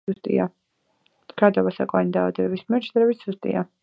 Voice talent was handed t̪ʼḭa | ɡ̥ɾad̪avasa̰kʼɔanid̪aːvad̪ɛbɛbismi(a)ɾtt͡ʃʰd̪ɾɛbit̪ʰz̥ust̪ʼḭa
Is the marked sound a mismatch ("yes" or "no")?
yes